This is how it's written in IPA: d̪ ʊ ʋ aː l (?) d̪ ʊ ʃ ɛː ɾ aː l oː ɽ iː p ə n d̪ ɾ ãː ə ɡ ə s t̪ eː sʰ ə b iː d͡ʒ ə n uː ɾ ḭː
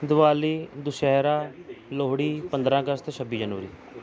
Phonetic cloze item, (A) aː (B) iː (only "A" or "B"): B